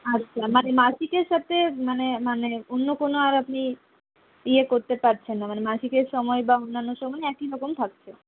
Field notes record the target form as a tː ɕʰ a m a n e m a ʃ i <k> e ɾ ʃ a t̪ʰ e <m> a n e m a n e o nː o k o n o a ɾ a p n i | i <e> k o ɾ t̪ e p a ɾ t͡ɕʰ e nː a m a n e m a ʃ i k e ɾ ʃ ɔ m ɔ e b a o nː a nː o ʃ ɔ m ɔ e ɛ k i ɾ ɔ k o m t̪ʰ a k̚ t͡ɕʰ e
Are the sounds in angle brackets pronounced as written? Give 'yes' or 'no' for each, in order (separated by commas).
yes, yes, yes